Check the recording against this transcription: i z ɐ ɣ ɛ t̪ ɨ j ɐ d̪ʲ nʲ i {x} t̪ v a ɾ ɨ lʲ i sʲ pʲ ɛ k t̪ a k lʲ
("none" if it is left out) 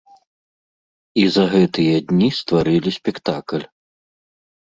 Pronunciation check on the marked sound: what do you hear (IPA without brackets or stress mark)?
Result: s